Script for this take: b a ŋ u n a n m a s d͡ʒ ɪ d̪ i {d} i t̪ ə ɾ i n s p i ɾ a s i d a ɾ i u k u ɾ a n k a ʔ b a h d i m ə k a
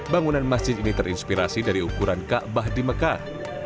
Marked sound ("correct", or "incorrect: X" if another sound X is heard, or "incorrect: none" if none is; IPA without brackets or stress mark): incorrect: n